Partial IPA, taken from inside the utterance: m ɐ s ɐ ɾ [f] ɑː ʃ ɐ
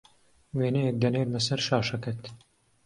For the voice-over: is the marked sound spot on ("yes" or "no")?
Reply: no